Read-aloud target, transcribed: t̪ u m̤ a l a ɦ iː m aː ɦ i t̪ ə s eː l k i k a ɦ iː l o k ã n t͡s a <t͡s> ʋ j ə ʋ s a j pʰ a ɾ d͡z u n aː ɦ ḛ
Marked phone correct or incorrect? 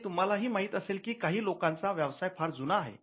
incorrect: none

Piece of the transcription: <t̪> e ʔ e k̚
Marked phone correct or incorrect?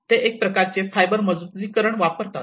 correct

